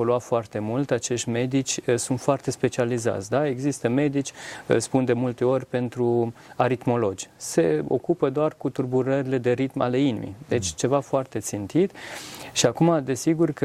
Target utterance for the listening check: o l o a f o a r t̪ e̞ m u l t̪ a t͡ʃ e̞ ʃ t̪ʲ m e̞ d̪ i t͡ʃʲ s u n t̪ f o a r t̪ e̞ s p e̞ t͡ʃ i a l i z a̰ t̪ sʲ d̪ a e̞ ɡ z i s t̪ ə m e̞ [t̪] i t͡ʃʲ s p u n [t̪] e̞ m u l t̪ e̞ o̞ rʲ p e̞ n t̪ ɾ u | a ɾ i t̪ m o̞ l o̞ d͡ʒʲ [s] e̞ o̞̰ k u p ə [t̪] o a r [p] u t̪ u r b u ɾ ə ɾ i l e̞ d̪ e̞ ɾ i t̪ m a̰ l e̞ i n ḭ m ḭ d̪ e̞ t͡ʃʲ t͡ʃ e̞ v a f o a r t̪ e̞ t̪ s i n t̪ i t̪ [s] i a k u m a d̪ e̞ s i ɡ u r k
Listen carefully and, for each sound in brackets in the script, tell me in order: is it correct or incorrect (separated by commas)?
incorrect, incorrect, correct, incorrect, incorrect, incorrect